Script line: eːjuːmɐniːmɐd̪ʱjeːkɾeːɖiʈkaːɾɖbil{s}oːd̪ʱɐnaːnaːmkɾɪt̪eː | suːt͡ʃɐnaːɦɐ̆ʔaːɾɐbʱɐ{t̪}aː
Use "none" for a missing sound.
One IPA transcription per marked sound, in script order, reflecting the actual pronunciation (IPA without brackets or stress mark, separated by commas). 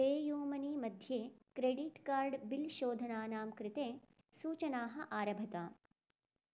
ʃ, t̪